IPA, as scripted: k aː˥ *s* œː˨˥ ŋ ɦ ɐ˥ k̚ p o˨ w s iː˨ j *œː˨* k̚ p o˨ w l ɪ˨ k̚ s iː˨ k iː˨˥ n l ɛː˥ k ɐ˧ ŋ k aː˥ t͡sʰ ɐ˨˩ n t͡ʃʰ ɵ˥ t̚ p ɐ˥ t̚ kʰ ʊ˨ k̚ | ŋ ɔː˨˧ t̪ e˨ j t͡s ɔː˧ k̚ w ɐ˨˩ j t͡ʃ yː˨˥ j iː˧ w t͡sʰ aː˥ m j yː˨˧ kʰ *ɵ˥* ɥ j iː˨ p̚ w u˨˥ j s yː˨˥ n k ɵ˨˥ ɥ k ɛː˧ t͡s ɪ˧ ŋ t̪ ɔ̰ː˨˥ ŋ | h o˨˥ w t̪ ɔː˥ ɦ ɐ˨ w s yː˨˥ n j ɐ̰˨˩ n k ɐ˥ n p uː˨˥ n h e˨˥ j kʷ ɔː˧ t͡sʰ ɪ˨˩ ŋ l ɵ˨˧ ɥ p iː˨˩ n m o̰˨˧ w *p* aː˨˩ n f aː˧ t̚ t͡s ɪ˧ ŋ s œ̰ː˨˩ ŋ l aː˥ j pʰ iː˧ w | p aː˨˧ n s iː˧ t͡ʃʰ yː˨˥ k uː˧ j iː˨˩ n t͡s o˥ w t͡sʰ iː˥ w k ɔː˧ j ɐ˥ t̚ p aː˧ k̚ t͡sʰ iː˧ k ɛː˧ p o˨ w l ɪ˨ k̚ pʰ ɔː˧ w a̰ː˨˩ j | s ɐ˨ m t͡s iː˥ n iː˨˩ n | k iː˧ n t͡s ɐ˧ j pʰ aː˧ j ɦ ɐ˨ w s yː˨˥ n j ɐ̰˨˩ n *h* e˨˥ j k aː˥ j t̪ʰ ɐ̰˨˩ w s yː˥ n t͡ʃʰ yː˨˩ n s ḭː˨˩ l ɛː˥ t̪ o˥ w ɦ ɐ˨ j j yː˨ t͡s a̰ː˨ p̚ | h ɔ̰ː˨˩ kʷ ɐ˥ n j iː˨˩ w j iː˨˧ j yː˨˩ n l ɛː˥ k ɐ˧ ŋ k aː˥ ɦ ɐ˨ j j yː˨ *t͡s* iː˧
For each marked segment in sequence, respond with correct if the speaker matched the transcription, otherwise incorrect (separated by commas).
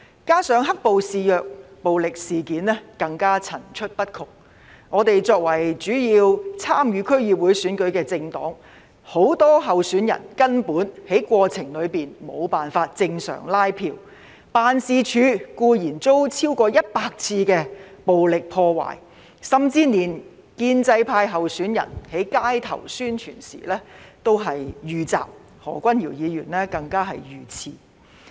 correct, correct, correct, correct, correct, incorrect